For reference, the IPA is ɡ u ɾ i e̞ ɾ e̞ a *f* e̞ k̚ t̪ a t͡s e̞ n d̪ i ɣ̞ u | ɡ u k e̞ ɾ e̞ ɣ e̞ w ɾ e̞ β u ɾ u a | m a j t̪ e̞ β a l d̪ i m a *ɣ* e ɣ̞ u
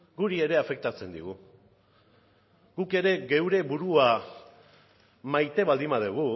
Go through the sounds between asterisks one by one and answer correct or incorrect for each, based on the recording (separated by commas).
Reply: correct, incorrect